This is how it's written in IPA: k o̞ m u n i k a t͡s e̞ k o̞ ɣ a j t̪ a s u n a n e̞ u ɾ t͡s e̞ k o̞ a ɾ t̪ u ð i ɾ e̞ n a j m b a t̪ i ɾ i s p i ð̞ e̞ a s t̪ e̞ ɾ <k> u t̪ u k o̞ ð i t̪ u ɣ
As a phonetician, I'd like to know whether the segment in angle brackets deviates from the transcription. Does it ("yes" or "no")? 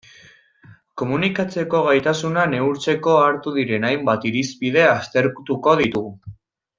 no